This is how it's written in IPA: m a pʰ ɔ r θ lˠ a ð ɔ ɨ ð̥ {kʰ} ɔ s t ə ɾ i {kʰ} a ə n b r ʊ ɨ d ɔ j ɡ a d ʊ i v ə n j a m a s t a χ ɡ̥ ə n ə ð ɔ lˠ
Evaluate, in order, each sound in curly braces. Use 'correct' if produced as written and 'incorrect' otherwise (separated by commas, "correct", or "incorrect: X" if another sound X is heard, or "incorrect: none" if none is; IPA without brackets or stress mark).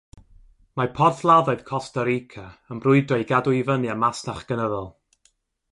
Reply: correct, correct